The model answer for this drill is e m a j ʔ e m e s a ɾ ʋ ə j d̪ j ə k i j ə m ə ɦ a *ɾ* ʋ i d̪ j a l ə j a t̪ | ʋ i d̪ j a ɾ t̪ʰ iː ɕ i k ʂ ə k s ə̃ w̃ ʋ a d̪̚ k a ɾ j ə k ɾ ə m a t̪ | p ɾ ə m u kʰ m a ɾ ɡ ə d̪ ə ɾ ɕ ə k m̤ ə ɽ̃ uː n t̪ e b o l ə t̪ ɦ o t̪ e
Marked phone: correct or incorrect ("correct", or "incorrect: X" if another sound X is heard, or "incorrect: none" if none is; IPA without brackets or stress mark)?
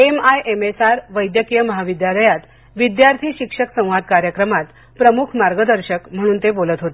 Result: incorrect: none